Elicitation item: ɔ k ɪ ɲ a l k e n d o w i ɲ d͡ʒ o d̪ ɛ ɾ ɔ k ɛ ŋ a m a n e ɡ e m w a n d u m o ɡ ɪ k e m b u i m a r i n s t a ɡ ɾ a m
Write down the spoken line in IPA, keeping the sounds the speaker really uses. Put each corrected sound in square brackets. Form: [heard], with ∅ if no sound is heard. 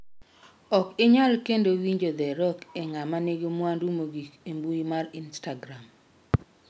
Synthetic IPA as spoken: ɔ k ɪ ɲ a l k e n d o w i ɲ d͡ʒ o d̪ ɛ ɾ ɔ k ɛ ŋ a m a n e ɡ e m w a n d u m o ɡ [i] k e m b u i m a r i n s t a ɡ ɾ a m